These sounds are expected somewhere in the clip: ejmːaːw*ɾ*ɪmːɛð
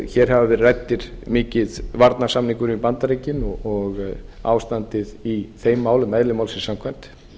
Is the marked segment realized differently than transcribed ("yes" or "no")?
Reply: yes